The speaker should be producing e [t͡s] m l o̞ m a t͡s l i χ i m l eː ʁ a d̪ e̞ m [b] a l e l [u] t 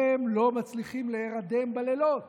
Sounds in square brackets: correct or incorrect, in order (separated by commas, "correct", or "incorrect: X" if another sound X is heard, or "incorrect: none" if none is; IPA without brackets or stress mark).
incorrect: none, correct, incorrect: o